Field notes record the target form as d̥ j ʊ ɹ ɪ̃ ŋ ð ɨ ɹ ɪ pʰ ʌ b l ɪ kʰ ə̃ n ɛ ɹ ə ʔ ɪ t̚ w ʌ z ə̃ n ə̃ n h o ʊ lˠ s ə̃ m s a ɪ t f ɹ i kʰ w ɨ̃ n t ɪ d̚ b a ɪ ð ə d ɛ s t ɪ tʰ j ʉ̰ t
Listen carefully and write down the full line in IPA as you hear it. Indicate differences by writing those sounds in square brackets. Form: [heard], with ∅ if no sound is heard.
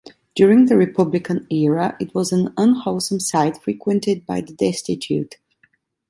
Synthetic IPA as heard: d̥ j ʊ ɹ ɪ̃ ŋ ð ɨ ɹ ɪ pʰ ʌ b l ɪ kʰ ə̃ n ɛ ɹ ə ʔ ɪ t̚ w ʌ z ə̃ n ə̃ n h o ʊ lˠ s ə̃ m s a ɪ t f ɹ i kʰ w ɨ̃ n t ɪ d̚ b a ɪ ð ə d ɛ s t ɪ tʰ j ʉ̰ t